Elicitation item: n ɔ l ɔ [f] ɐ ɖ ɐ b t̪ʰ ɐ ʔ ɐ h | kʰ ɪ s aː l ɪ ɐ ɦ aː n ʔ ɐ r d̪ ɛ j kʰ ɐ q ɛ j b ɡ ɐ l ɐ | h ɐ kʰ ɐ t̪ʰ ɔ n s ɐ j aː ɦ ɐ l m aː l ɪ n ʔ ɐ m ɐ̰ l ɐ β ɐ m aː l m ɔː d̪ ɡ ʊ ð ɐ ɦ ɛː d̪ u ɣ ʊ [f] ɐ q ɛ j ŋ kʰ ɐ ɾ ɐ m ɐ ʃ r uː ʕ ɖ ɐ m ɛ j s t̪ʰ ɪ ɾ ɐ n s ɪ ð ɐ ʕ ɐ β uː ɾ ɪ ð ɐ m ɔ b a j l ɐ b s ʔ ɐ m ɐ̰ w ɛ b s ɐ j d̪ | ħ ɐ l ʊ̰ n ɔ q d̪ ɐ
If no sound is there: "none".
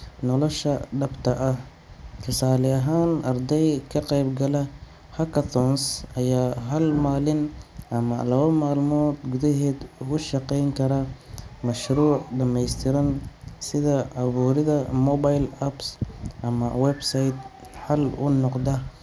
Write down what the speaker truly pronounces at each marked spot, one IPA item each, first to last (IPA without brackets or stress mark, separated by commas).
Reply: ʃ, ʃ